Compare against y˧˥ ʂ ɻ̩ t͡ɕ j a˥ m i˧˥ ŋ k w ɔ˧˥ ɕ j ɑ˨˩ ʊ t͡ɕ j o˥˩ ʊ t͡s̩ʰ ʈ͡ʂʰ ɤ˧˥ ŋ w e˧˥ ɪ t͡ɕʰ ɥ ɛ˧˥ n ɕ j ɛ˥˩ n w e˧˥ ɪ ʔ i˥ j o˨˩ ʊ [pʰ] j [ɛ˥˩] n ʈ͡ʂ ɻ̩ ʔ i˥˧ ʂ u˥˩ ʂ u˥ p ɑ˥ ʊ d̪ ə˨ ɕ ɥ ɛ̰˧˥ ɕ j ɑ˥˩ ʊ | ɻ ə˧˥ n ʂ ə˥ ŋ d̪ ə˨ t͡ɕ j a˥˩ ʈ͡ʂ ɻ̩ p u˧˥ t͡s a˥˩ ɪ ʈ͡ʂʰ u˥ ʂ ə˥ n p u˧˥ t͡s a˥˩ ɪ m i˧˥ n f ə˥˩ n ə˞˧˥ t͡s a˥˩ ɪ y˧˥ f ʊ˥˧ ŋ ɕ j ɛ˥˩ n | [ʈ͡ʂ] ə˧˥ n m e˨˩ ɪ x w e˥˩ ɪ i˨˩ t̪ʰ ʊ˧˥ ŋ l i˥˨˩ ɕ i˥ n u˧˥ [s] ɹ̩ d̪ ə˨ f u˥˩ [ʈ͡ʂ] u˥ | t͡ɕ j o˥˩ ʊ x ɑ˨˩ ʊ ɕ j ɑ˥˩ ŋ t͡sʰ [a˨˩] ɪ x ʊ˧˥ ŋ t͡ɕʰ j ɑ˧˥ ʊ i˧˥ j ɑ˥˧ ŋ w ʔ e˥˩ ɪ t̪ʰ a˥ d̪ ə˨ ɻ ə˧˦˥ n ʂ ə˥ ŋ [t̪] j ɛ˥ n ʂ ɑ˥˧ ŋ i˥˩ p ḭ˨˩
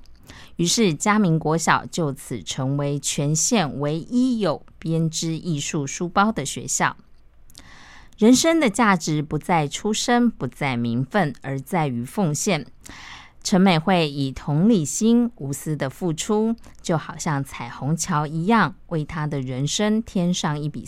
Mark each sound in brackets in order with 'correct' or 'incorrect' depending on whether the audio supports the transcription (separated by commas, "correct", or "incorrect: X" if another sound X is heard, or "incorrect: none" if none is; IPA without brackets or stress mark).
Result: incorrect: p, incorrect: ɛ˥, incorrect: ʈ͡ʂʰ, correct, incorrect: ʈ͡ʂʰ, correct, incorrect: t̪ʰ